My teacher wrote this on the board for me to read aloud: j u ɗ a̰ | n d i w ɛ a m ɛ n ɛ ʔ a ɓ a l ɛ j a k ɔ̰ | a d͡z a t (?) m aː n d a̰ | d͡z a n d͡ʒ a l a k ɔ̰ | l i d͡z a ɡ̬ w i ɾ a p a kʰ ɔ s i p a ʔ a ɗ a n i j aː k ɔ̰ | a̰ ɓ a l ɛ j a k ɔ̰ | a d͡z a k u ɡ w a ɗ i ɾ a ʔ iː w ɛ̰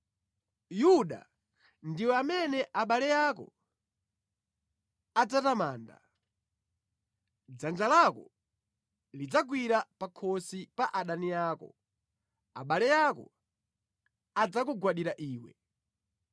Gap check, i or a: a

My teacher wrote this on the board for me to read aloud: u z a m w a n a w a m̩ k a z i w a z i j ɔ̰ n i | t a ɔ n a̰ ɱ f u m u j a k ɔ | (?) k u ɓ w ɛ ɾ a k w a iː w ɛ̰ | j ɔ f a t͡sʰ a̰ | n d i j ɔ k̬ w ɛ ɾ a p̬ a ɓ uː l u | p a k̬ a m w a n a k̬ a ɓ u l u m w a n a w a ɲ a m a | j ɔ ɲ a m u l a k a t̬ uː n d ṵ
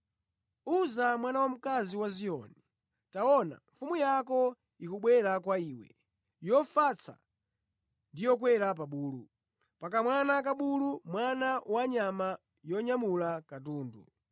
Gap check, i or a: i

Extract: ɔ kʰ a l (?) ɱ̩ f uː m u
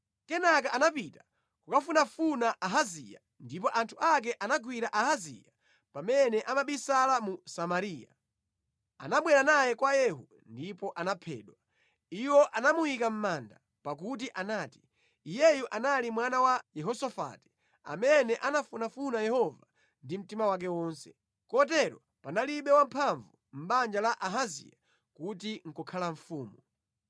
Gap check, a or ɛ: a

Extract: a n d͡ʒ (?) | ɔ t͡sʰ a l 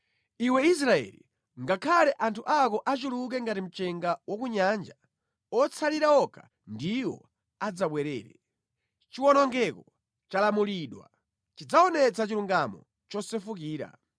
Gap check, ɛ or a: a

